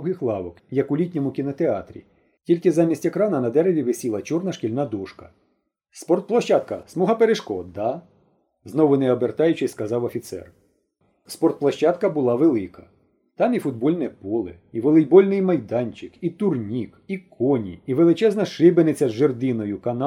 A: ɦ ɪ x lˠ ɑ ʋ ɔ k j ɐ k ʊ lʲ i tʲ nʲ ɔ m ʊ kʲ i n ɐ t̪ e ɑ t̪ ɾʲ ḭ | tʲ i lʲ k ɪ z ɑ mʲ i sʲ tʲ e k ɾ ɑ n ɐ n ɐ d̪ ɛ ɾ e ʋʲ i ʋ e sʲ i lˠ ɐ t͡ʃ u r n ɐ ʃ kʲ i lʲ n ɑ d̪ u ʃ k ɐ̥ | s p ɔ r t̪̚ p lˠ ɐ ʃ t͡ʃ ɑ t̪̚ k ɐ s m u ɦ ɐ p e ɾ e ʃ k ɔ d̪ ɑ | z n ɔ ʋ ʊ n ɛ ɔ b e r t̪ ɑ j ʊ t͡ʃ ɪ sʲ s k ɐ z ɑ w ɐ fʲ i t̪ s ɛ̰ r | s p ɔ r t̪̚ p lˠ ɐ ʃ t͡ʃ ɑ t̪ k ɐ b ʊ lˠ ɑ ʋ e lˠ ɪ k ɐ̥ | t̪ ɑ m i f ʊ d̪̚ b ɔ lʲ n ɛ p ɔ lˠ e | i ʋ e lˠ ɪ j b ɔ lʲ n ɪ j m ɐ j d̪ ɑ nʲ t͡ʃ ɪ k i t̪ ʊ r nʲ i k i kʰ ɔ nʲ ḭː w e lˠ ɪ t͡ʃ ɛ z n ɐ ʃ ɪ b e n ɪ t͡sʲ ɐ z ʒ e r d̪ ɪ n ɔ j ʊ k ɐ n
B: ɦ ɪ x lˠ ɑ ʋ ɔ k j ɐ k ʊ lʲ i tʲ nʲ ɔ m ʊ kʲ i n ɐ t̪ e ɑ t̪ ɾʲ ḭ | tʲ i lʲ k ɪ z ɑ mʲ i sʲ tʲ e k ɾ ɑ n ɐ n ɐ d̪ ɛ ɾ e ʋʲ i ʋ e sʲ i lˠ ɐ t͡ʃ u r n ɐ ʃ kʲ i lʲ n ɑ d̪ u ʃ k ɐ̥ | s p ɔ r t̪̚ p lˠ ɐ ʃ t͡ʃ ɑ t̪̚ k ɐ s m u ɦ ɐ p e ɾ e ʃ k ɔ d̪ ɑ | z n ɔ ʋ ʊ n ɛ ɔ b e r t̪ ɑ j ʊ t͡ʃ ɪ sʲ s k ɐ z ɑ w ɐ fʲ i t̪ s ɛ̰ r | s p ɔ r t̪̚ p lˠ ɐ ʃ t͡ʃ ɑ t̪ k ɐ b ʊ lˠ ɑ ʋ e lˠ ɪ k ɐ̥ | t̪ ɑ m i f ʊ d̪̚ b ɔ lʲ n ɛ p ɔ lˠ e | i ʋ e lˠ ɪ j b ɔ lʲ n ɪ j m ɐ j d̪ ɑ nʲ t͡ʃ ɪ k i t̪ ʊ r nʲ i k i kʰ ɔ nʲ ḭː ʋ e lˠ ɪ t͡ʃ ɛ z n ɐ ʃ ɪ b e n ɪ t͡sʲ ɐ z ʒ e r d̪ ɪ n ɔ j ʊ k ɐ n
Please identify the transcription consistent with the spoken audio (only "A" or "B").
B